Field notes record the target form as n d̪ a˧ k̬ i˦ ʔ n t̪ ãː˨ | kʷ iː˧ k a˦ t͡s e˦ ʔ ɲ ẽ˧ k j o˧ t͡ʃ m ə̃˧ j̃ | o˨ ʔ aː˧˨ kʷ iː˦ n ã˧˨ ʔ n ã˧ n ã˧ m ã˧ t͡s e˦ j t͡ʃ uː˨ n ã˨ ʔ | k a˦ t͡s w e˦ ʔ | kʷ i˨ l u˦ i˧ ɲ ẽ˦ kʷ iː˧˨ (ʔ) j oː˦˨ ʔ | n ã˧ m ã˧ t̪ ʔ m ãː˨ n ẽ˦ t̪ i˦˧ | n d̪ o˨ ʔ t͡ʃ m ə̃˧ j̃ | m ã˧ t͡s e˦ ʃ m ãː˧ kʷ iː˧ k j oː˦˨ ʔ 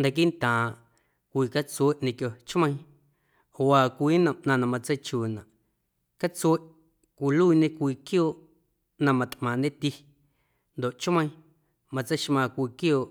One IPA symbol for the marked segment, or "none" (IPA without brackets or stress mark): k